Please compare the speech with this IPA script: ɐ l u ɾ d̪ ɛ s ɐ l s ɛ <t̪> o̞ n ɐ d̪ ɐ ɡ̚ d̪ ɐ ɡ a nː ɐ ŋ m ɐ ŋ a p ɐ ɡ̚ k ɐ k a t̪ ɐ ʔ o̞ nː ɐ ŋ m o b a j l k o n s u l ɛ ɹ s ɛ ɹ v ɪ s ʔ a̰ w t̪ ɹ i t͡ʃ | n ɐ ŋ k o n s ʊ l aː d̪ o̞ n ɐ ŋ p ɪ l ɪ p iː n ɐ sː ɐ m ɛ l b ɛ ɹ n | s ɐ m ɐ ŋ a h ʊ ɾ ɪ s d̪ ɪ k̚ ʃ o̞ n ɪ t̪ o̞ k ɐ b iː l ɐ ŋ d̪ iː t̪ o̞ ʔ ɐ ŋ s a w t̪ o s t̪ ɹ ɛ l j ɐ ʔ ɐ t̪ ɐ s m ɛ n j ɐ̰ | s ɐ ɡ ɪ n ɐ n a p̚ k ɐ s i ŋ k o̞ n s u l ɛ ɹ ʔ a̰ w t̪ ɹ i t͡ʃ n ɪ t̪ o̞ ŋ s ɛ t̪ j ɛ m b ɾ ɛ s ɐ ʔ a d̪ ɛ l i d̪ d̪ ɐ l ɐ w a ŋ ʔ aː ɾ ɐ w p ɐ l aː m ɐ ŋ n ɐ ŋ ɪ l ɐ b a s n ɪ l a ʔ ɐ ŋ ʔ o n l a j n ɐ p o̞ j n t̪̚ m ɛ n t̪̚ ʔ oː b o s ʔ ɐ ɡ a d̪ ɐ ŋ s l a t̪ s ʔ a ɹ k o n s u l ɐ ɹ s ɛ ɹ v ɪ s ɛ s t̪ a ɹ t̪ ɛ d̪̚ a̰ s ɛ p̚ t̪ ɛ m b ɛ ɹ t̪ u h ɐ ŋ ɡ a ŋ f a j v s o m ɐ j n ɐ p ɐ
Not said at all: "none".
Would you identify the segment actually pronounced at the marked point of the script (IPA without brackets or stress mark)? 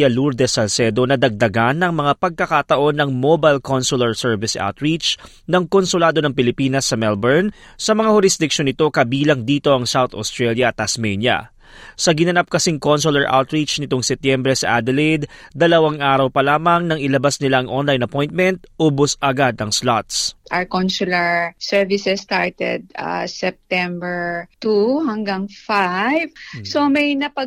d̪